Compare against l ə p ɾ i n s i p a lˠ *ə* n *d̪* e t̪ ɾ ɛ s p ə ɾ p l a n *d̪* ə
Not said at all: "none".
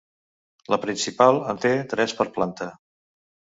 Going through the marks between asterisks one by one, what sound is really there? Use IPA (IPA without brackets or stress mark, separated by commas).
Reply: ə, t̪, t̪